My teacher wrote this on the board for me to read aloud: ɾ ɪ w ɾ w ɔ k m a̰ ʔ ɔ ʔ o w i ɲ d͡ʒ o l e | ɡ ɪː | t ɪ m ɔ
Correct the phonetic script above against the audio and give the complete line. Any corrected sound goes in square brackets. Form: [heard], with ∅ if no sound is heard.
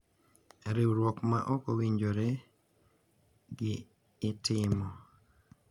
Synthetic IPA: ɾ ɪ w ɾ w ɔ k m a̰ ʔ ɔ [k] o w i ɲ d͡ʒ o [ɾ] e | ɡ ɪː | t ɪ m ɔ